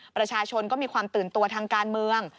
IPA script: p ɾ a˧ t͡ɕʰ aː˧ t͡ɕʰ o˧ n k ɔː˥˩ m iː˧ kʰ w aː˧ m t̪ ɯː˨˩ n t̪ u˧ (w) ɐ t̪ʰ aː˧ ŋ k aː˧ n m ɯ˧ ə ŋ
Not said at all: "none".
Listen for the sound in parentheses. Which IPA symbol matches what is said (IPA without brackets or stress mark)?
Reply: none